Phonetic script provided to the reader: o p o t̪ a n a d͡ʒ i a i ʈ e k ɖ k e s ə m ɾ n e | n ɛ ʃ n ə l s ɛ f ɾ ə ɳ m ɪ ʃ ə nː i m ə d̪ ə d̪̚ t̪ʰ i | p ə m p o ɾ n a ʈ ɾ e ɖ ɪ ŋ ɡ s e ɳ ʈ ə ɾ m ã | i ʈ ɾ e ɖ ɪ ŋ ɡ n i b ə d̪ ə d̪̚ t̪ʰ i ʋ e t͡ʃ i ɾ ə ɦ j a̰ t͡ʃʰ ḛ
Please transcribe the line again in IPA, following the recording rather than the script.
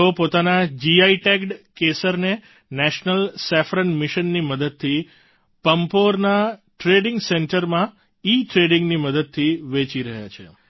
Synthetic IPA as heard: o p o t̪ a n a d͡ʒ i a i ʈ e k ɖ k e s ə ɾ n e | n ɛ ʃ n ə l s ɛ f ɾ ə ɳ m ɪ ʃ ə nː i m ə d̪ ə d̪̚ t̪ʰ i | p ə m p o ɾ n a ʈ ɾ e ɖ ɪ ŋ ɡ s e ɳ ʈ ə ɾ m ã | i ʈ ɾ e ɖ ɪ ŋ ɡ n i m ə d̪ ə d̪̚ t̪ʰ i ʋ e t͡ʃ i ɾ ə ɦ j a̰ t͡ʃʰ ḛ